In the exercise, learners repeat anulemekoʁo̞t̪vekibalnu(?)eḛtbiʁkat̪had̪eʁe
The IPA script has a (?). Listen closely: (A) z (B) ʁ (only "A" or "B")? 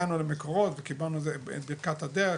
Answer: A